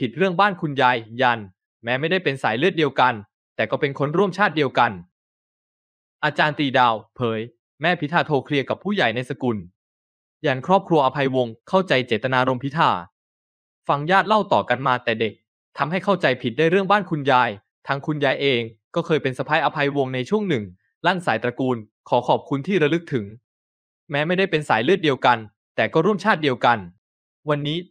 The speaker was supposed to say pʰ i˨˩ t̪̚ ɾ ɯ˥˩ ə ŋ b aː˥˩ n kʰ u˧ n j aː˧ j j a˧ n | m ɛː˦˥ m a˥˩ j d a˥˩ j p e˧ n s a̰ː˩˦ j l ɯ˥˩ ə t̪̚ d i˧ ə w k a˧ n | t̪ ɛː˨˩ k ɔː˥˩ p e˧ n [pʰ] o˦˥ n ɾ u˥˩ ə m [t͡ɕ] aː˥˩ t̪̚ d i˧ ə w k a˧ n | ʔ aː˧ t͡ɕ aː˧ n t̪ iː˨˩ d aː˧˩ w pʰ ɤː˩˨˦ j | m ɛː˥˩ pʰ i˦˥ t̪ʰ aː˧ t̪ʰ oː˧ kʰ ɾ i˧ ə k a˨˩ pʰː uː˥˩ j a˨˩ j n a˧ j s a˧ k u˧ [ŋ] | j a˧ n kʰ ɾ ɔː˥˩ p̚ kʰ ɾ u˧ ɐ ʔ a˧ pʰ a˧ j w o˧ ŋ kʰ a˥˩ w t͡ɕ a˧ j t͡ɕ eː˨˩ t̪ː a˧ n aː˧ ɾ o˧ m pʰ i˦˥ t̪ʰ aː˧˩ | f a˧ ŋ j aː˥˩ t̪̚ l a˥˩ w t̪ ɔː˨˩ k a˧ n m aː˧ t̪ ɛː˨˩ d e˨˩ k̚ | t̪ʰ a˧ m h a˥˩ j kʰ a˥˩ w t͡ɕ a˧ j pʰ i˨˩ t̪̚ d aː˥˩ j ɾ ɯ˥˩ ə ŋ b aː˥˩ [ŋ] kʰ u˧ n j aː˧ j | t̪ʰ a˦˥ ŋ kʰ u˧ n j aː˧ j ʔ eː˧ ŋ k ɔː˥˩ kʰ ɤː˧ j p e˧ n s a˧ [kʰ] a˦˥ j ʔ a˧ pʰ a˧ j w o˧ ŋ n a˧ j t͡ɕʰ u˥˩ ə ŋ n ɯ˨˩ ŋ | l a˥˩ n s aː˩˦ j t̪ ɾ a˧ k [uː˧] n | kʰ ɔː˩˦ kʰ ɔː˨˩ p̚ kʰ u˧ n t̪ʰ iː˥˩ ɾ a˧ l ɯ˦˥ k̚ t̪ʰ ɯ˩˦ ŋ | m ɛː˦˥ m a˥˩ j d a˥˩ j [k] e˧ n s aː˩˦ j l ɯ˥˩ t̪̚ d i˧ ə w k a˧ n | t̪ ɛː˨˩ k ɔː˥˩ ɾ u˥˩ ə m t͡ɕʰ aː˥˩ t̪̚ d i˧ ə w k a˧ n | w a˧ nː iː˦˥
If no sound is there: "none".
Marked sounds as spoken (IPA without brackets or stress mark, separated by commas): kʰ, t͡ɕʰ, n, n, pʰ, uː˧, p